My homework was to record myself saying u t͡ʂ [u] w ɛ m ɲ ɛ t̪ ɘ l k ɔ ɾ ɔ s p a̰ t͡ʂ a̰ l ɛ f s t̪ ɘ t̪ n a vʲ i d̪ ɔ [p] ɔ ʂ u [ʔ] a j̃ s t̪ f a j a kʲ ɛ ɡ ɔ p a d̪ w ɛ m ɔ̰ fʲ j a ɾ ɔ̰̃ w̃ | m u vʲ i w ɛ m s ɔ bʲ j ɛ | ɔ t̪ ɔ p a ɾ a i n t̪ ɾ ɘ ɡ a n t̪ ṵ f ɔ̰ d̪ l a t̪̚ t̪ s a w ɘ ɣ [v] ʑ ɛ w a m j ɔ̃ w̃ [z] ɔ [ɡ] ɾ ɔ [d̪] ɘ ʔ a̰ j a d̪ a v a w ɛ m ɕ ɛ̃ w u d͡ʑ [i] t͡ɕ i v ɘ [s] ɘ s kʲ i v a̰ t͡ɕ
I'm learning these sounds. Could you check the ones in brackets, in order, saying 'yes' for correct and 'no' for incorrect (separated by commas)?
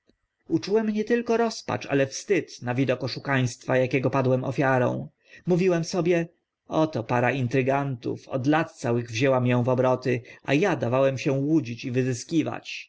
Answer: yes, no, no, yes, no, no, no, yes, no